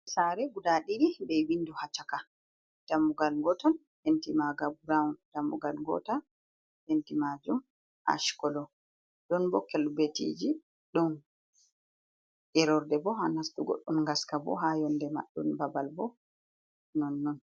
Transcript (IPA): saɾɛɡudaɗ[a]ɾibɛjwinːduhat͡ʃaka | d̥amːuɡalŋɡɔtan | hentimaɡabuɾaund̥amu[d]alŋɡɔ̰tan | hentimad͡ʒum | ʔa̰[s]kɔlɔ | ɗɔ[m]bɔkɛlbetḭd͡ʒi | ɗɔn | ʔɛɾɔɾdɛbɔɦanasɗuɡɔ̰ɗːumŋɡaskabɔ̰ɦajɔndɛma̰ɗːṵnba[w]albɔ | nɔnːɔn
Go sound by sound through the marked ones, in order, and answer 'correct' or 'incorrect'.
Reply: incorrect, incorrect, incorrect, incorrect, incorrect

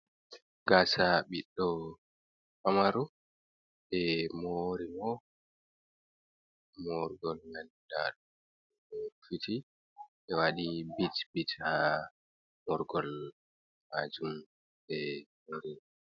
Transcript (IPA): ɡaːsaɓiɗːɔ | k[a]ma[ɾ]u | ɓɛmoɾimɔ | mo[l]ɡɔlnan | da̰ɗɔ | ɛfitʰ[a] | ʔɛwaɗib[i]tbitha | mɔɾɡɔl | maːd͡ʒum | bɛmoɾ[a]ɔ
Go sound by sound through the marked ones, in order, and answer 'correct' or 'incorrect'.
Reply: correct, correct, incorrect, incorrect, correct, incorrect

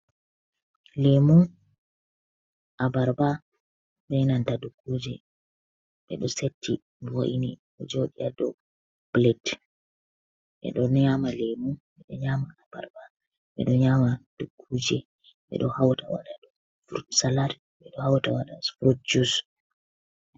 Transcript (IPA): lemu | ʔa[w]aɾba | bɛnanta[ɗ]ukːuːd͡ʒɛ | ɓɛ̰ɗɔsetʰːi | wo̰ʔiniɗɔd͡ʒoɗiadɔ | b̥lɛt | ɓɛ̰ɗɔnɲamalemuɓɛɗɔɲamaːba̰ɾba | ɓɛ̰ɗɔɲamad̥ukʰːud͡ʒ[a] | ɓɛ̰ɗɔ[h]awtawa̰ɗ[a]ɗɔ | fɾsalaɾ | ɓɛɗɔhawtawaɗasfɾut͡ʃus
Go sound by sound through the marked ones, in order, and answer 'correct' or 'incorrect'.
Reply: incorrect, incorrect, incorrect, correct, correct

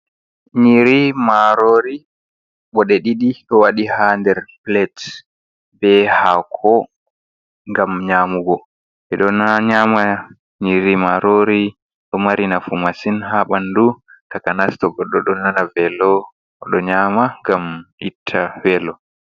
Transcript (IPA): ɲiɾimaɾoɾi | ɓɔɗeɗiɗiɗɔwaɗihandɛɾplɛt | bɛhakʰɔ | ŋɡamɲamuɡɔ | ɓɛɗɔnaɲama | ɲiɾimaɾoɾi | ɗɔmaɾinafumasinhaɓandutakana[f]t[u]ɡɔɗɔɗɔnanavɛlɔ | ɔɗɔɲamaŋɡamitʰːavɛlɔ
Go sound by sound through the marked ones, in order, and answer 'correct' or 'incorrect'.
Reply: incorrect, incorrect

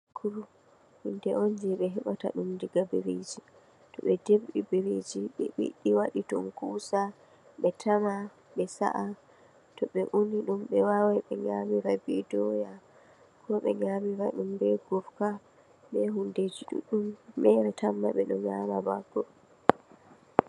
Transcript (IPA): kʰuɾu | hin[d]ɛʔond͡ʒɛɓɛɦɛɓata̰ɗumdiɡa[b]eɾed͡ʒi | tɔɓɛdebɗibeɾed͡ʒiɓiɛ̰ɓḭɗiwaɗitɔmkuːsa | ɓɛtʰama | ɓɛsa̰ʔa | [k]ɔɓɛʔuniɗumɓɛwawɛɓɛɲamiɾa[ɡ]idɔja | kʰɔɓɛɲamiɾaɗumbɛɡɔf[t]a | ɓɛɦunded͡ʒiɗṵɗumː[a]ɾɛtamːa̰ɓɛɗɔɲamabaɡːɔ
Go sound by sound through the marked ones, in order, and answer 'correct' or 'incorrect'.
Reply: correct, correct, incorrect, incorrect, incorrect, incorrect

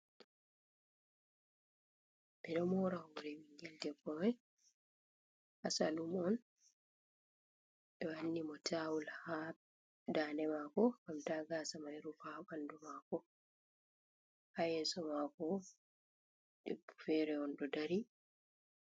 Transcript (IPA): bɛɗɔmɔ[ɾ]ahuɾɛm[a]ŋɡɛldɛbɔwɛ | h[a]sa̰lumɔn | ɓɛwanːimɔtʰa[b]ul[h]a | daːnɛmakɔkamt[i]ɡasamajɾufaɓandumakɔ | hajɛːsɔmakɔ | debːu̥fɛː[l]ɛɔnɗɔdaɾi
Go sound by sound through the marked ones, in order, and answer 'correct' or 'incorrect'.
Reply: correct, incorrect, correct, incorrect, correct, incorrect, incorrect

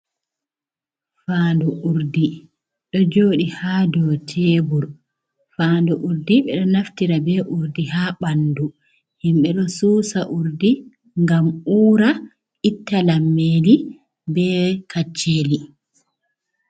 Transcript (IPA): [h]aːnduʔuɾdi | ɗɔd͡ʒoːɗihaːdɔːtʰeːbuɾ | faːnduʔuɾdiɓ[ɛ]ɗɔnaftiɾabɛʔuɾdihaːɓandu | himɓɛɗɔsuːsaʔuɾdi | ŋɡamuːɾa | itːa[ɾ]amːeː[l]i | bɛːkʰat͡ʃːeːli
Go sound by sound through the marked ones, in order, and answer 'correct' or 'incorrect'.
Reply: incorrect, correct, incorrect, correct

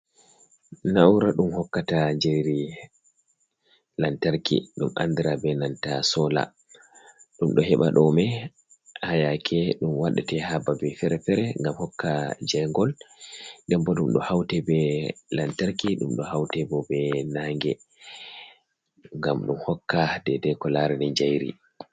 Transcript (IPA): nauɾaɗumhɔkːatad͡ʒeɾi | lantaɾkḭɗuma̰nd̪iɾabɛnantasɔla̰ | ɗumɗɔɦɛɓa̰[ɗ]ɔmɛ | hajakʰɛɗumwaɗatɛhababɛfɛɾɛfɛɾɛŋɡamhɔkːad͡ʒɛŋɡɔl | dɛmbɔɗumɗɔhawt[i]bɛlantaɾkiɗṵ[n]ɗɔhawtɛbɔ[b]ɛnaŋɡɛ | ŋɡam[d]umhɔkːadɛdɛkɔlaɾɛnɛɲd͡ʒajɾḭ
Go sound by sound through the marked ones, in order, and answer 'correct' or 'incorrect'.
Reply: correct, incorrect, incorrect, correct, incorrect

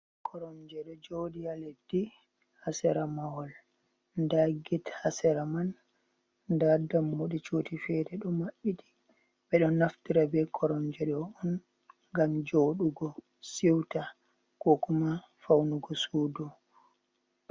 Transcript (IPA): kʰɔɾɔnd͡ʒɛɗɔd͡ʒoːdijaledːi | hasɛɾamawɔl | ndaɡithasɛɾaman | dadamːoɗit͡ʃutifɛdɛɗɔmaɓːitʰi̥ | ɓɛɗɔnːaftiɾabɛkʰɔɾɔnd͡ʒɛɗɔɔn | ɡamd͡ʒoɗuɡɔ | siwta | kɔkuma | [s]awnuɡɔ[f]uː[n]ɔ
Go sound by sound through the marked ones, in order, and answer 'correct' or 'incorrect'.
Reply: incorrect, incorrect, incorrect

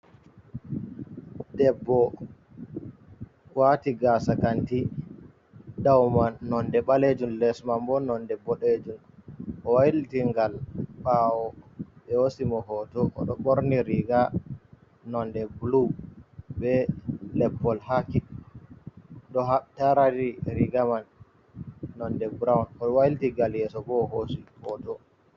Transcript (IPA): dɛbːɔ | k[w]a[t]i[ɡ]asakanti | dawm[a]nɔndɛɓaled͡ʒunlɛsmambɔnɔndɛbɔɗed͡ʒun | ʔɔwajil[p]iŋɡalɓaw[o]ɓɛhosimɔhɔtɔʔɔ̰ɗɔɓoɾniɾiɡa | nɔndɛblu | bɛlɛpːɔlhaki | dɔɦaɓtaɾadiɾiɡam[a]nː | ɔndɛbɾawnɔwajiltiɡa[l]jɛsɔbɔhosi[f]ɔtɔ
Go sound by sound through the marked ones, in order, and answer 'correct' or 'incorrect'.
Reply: correct, correct, correct, correct, incorrect, incorrect, correct, correct, incorrect

